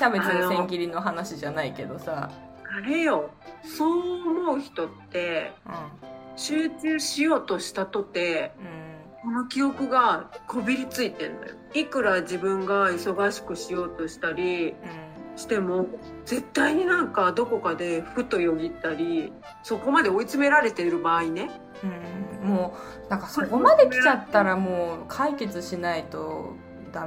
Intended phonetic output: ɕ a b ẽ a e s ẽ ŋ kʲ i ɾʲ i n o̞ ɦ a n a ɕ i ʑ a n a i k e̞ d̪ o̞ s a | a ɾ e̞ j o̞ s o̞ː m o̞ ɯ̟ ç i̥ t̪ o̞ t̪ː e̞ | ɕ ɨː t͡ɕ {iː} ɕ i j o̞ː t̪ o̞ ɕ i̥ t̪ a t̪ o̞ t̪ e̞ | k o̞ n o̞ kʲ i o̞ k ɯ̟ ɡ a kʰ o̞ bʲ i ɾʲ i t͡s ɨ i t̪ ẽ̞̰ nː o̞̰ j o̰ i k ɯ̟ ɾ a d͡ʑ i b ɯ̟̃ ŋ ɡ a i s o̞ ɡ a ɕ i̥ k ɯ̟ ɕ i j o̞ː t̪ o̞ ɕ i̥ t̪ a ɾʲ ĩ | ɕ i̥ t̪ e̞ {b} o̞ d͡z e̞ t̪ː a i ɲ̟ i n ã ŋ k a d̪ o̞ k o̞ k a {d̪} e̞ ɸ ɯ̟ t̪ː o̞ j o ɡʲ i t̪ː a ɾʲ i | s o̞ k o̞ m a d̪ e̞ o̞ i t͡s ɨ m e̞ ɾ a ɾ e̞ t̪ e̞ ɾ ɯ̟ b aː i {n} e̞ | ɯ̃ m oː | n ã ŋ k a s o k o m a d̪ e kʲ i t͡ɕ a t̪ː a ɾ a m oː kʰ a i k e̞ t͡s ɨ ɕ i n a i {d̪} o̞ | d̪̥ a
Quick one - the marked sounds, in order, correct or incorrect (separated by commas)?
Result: incorrect, incorrect, correct, correct, incorrect